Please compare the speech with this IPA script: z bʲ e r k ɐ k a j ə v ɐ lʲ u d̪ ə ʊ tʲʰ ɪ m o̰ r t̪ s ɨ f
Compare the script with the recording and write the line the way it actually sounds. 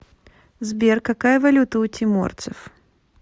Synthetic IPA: z bʲ e r k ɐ k a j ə v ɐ lʲ u t̪ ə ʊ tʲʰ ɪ m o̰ r t̪ s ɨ f